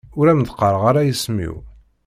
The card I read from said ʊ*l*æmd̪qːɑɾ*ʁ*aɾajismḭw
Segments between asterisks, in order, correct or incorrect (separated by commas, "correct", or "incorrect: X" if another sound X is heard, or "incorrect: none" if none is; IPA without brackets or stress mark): incorrect: ɾ, correct